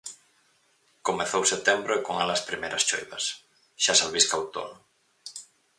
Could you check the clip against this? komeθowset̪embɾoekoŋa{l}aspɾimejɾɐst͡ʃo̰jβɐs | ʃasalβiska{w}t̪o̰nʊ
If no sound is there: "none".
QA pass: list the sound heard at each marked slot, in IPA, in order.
l, w

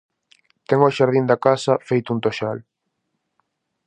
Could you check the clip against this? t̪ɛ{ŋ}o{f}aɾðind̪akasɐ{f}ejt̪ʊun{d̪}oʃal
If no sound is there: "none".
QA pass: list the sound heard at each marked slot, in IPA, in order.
ŋ, ʃ, f, t̪

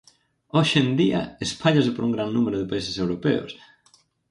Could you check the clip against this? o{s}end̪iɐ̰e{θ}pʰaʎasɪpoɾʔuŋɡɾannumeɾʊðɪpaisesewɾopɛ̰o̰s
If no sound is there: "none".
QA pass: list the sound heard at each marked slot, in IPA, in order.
ʃ, s

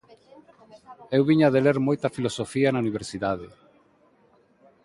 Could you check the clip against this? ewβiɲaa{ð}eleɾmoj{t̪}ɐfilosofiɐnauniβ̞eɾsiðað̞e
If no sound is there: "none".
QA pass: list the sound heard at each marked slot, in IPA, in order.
ð, t̪

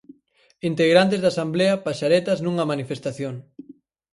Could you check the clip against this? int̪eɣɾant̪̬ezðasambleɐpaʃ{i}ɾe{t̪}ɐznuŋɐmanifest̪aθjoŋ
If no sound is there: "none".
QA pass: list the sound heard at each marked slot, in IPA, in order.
a, t̪

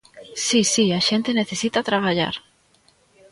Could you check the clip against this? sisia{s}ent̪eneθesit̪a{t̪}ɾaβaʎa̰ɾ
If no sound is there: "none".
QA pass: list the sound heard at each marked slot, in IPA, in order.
ʃ, t̪

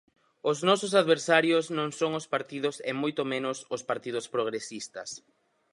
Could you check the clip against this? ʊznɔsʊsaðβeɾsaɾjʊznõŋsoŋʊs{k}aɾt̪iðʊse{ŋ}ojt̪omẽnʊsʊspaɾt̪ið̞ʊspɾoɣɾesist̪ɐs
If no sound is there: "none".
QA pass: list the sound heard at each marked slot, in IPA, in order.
p, m

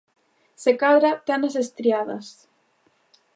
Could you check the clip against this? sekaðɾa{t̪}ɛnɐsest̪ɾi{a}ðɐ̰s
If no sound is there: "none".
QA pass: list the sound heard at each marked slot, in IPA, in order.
t̪, a

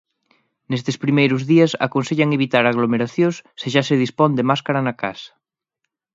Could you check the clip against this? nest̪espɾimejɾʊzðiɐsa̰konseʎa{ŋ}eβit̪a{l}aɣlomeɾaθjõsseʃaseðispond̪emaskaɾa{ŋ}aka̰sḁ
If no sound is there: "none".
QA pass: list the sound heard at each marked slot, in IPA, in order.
ŋ, ɾ, n

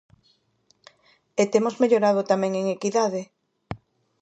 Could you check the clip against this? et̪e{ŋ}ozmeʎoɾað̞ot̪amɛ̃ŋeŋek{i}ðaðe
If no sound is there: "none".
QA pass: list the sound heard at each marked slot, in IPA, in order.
m, i

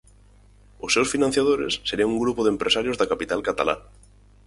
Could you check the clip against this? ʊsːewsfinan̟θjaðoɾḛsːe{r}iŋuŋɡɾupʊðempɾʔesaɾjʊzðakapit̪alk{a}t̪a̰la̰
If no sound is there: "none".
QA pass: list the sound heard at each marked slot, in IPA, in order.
ɾ, a

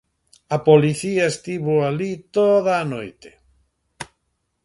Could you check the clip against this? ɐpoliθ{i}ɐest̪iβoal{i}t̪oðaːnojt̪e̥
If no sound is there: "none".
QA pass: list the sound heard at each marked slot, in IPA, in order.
i, i

